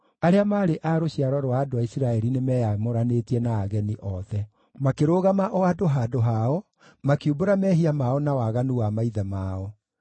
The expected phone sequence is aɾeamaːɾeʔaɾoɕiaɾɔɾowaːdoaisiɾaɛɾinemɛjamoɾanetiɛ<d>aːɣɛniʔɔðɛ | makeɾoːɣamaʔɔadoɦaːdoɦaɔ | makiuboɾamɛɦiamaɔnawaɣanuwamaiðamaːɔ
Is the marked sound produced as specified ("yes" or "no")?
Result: no